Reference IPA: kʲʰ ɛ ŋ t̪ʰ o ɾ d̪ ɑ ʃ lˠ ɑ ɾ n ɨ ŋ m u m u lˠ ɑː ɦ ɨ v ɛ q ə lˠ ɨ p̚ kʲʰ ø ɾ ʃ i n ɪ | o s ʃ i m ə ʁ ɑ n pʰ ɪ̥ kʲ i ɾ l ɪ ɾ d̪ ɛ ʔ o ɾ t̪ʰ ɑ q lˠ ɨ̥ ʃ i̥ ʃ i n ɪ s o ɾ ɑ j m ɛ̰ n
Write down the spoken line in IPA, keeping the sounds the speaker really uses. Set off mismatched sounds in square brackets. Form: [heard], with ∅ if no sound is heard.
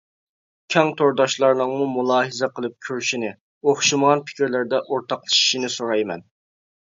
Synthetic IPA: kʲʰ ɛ ŋ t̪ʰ o ɾ d̪ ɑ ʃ lˠ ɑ ɾ n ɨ ŋ m u m u lˠ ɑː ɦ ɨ [z] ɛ q ə lˠ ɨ p̚ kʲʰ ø ɾ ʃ i n ɪ | o [χ] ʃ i m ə ʁ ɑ n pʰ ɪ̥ kʲ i ɾ l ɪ ɾ d̪ ɛ ʔ o ɾ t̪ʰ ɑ q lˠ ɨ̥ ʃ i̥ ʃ i n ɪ s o ɾ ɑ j m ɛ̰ n